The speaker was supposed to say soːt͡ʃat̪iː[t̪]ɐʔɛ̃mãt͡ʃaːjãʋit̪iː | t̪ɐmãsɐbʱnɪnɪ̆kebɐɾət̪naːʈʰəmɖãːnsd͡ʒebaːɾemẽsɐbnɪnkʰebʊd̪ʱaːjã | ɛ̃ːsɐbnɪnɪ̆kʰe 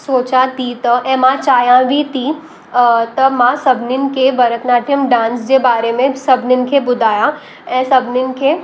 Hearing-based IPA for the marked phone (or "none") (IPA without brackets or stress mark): t̪